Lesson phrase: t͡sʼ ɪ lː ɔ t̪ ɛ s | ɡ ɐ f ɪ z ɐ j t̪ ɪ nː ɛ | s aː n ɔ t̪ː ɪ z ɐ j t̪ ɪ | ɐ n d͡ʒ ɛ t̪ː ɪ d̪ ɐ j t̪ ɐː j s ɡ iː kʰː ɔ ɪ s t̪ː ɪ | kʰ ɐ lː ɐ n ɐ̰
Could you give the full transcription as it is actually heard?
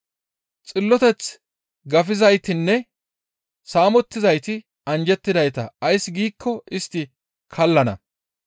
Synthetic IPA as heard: t͡sʼ ɪ lː ɔ t̪ ɛ t͡s | ɡ ɐ f ɪ z ɐ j t̪ ɪ nː ɛ | s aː m ɔ t̪ː ɪ z ɐ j t̪ ɪ | ɐ n d͡ʒ ɛ t̪ː ɪ d̪ ɐ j t̪ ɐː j s ɡ iː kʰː ɔ ɪ s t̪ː ɪ | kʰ ɐ lː ɐ n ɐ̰